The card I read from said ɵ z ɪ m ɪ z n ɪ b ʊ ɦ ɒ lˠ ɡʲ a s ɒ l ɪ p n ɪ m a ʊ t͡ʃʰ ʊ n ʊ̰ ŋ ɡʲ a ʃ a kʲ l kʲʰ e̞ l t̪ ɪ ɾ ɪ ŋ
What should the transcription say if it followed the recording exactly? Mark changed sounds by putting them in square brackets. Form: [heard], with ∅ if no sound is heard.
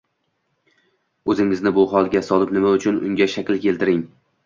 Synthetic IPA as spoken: ɵ z ɪ [ŋ] ɪ z n ɪ b ʊ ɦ ɒ lˠ ɡʲ a s ɒ l ɪ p n ɪ m a ʊ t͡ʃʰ ʊ n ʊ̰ ŋ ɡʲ a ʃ a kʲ l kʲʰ e̞ l t̪ ɪ ɾ ɪ ŋ